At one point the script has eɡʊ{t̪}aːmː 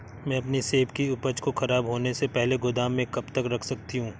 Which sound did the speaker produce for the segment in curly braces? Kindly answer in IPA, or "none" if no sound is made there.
d̪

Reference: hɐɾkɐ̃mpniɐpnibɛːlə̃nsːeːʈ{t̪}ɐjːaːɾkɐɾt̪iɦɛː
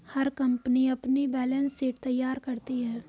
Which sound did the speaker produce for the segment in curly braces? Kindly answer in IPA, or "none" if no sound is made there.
t̪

